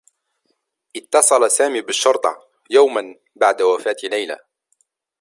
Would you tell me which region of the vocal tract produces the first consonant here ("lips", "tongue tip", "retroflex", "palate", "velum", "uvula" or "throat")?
throat